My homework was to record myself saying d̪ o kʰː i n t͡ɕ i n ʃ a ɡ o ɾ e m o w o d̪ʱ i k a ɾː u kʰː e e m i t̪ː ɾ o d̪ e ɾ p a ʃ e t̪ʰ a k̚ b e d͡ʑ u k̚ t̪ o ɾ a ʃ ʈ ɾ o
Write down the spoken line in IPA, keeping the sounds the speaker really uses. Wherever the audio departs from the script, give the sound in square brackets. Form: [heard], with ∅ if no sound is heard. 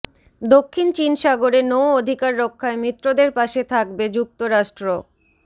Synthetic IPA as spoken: d̪ o kʰː i n t͡ɕ i n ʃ a ɡ o ɾ e [n] o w o d̪ʱ i k a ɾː [o] kʰː [a] e m i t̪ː ɾ o d̪ e ɾ p a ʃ e t̪ʰ a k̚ b e d͡ʑ u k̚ t̪ o ɾ a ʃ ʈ ɾ o